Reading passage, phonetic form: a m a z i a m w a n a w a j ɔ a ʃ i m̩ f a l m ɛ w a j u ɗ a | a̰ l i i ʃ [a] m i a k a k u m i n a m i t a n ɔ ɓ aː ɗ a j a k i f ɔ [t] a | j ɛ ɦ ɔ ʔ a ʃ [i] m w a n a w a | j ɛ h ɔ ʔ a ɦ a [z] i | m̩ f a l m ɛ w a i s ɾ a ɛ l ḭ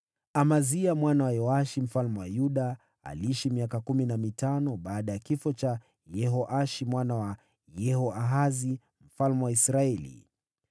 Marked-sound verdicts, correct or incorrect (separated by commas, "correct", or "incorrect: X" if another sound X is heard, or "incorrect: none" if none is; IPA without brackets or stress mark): incorrect: i, incorrect: t͡ʃ, correct, correct